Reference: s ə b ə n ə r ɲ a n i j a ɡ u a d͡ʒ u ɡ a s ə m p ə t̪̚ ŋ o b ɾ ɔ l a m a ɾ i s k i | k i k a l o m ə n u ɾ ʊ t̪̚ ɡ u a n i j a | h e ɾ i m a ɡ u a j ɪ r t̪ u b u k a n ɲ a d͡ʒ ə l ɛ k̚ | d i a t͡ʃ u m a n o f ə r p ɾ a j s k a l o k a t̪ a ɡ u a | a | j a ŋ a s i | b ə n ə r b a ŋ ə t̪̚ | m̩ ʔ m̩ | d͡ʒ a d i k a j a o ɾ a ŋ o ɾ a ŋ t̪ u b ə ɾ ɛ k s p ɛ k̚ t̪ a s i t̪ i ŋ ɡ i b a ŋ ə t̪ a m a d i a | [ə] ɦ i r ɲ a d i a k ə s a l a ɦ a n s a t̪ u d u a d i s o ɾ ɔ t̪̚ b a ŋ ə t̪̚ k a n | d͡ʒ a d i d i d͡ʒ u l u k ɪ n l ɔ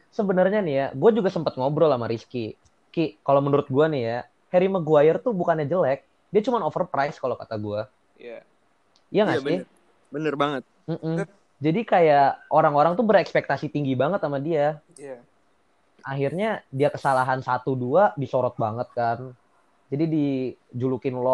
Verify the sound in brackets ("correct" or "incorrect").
incorrect